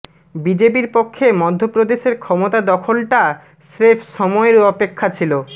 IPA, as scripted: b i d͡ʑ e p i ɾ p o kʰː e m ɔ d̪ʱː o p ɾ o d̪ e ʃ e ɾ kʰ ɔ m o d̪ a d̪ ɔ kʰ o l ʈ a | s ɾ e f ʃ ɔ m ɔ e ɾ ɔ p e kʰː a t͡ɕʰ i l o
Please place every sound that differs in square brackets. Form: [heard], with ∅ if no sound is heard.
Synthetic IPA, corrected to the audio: b i d͡ʑ e p i ɾ p o kʰː e m ɔ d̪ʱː o p ɾ o d̪ e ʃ e ɾ kʰ ɔ m o [t̪] a d̪ ɔ kʰ o l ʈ a | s ɾ e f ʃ ɔ m ɔ e ɾ ɔ p e kʰː a t͡ɕʰ i l o